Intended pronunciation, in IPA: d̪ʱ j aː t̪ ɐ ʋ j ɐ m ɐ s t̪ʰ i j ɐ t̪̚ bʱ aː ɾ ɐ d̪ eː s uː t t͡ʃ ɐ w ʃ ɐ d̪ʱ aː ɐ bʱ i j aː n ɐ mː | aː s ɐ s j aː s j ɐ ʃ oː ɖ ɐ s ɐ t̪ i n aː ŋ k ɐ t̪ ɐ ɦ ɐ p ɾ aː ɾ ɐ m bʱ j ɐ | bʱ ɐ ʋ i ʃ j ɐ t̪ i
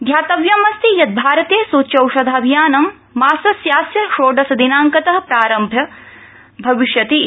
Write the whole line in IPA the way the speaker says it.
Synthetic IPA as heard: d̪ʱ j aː t̪ ɐ ʋ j ɐ m ɐ s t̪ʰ i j ɐ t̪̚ bʱ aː ɾ ɐ t̪ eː s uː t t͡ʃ ɐ w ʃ ɐ d̪ʱ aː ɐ bʱ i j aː n ɐ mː | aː s ɐ s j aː s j ɐ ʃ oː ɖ ɐ s ɐ d̪ i n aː ŋ k ɐ t̪ ɐ ɦ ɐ p ɾ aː ɾ ɐ m bʱ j ɐ | bʱ ɐ ʋ i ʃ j ɐ t̪ i